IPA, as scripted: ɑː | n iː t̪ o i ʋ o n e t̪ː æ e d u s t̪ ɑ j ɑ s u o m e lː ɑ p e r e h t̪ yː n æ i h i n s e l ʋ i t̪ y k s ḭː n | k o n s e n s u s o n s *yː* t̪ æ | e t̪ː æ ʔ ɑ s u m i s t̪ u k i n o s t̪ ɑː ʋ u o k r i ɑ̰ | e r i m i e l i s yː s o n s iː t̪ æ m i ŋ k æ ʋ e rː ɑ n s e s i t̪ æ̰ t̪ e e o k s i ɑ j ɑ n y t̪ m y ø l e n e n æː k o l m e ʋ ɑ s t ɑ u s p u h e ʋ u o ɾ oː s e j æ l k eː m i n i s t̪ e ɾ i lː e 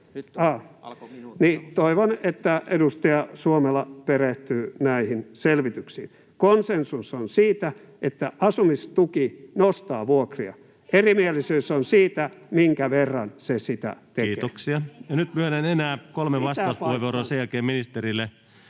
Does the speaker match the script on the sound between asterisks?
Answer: no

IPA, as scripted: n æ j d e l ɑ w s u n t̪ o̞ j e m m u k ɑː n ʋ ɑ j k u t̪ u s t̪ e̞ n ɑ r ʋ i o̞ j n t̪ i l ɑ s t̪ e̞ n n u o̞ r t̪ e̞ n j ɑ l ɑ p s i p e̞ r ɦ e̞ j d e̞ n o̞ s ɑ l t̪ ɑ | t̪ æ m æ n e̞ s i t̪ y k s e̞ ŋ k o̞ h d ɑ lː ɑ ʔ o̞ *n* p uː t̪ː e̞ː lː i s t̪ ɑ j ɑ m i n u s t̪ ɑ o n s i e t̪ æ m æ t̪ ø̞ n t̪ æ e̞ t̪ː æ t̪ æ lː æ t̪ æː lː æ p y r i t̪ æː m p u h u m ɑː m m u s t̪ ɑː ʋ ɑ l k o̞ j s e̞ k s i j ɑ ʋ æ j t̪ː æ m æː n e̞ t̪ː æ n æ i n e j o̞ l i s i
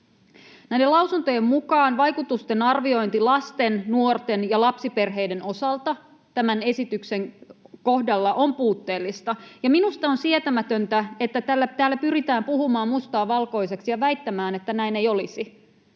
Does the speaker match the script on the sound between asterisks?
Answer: no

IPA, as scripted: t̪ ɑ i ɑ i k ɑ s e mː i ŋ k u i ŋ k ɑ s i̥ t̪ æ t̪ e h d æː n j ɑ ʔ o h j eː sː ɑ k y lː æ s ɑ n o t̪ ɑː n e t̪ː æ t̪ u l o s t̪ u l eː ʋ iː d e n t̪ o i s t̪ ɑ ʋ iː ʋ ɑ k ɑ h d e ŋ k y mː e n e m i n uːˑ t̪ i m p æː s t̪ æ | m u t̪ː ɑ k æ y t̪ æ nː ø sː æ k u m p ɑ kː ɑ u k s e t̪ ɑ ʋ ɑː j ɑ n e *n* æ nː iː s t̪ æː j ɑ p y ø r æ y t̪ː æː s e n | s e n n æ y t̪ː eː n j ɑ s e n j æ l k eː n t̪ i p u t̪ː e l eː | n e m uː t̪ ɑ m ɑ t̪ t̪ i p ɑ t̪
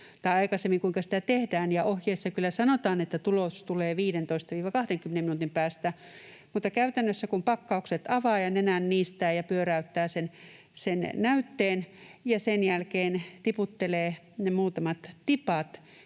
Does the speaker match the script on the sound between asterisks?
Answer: yes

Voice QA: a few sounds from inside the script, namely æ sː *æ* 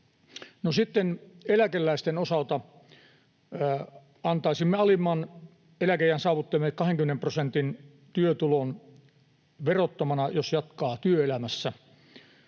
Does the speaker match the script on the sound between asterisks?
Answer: yes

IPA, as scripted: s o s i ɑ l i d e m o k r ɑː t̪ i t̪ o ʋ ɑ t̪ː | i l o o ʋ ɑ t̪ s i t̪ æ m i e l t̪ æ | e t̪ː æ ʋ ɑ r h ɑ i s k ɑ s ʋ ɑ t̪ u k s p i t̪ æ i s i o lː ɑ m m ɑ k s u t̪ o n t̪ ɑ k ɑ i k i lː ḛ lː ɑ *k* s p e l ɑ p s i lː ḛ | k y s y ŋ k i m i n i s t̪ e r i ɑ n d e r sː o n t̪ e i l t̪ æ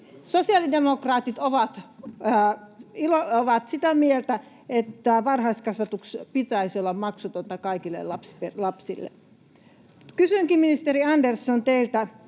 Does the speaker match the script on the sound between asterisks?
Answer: no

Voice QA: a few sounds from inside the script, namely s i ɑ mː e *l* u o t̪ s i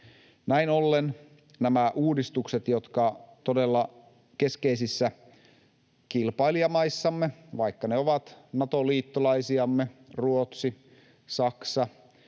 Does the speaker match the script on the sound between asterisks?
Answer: no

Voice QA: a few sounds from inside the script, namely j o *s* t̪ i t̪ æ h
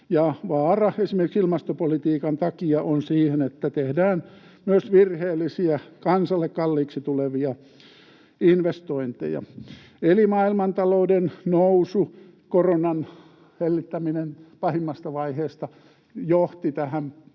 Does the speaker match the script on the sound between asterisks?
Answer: no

